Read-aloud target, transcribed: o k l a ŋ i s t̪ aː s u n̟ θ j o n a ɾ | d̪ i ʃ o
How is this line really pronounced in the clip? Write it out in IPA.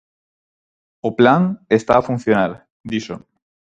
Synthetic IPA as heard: o p l a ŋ e s t̪ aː f u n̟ θ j o n a ɾ | d̪ i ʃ o